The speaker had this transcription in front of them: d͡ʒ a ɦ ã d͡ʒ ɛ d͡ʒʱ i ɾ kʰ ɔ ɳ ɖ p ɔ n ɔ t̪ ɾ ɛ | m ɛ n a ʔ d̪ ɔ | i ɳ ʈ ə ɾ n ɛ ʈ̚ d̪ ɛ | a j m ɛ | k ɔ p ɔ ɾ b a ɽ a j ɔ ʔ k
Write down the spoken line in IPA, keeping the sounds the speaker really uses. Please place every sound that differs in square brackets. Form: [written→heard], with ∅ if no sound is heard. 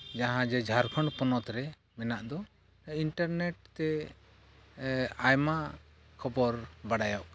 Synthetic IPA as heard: d͡ʒ a ɦ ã d͡ʒ ɛ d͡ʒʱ [i→a] ɾ kʰ ɔ ɳ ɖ p ɔ n ɔ t̪ ɾ ɛ | m ɛ n a ʔ d̪ ɔ | i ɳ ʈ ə ɾ n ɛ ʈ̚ [d̪→t̪] ɛ | a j m [ɛ→a] | [k→kʰ] ɔ [p→b] ɔ ɾ b a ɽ a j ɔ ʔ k